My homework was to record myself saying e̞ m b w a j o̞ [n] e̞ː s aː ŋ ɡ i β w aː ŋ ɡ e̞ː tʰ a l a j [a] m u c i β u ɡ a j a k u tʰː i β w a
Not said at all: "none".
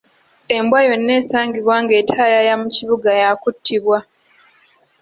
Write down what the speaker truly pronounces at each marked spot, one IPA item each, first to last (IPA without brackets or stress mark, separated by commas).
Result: nː, a